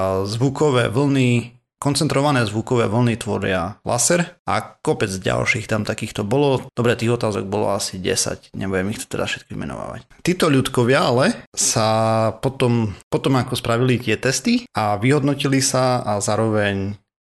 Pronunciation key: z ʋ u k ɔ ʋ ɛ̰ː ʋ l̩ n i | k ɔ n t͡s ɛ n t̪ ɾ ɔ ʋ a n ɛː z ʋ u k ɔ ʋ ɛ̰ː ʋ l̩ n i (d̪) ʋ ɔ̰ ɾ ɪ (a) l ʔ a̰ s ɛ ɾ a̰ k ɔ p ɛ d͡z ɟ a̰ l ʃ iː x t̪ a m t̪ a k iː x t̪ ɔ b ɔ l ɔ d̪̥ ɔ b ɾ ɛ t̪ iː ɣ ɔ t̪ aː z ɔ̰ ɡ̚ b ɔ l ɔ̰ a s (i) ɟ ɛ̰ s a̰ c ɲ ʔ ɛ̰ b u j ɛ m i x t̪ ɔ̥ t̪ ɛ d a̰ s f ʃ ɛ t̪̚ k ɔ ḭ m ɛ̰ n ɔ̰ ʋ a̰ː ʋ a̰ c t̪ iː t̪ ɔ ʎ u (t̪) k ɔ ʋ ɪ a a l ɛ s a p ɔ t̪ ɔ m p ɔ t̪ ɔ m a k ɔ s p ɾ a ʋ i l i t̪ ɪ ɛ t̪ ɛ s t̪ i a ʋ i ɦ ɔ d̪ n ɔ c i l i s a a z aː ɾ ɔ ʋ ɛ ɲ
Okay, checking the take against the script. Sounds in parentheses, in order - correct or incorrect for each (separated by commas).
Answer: incorrect, correct, correct, correct